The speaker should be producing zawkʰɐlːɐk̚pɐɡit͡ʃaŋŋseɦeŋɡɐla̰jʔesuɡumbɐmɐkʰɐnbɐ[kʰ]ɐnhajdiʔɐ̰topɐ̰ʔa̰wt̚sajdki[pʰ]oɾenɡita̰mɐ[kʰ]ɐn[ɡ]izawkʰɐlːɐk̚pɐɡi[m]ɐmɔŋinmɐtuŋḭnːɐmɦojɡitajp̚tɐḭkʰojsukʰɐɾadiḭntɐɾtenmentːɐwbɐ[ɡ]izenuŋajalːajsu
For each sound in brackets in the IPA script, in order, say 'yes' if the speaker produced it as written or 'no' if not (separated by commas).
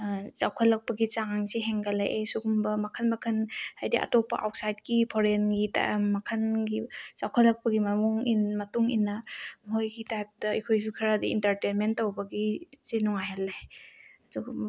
yes, yes, yes, yes, yes, yes